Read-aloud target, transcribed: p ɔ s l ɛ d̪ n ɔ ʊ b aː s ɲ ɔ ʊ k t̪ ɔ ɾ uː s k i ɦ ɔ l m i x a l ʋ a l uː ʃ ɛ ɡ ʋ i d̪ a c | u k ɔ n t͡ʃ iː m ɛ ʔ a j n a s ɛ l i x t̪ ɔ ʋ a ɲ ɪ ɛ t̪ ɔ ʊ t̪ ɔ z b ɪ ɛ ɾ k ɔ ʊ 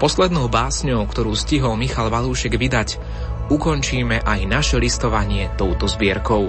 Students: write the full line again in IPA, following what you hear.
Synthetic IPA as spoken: p ɔ s l ɛ d̪ n ɔ ʊ b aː s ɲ ɔ ʊ k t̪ ɔ ɾ uː s c i ɦ ɔ l m i x a l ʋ a l uː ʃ ɛ ɡ ʋ i d̪ a c | u k ɔ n t͡ʃ iː m ɛ ʔ a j n a ʃ ɛ l i s t̪ ɔ ʋ a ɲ ɪ ɛ t̪ ɔ ʊ t̪ ɔ z b ɪ ɛ ɾ k ɔ ʊ